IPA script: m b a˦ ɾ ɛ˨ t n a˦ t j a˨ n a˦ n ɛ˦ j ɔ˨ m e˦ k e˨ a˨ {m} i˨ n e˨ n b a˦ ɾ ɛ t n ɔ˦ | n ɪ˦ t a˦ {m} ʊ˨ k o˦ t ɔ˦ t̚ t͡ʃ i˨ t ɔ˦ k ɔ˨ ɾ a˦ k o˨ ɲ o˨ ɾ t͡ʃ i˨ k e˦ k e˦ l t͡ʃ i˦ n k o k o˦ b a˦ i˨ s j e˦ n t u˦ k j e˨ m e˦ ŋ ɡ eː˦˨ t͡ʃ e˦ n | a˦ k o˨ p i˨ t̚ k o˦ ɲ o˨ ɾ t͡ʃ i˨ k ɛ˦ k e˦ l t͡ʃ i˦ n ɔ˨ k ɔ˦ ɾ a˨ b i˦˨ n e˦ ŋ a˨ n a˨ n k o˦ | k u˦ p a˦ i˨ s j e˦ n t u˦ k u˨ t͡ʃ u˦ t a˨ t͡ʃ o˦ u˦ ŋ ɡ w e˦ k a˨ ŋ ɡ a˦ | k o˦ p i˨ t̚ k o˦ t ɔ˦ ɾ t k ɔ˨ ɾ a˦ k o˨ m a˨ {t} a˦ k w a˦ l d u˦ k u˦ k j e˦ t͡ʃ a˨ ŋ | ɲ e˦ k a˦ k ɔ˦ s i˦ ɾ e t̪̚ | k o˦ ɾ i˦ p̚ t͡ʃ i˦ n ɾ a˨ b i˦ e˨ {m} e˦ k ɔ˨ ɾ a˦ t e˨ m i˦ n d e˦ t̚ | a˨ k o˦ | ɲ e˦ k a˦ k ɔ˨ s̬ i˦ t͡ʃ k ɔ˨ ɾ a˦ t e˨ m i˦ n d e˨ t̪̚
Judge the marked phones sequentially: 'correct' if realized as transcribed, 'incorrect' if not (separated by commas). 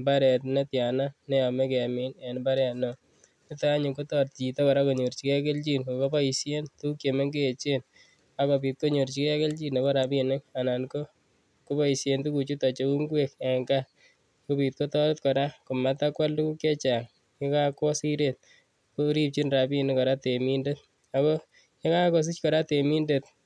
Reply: correct, incorrect, correct, incorrect